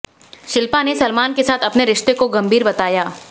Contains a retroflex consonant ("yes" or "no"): no